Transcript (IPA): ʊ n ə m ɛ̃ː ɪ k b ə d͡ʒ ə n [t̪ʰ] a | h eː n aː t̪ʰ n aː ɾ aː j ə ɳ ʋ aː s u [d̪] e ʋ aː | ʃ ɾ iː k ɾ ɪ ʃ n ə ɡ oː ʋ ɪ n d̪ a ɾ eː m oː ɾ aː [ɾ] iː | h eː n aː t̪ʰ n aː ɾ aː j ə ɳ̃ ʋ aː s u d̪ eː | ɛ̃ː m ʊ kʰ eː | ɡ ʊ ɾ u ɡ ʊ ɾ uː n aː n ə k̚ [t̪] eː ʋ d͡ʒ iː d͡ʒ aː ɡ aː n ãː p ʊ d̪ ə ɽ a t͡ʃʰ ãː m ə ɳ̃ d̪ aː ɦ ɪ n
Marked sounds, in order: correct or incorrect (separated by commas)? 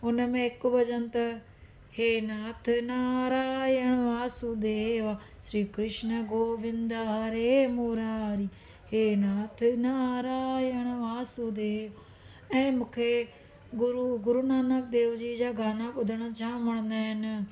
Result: incorrect, correct, correct, incorrect